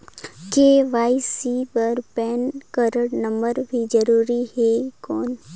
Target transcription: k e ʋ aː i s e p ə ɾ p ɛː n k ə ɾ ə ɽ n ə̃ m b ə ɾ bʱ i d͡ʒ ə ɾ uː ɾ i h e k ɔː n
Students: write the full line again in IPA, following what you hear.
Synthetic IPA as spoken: k e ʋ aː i s i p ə ɾ p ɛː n k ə ɾ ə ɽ n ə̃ m b ə ɾ bʱ i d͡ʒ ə ɾ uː ɾ i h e k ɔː n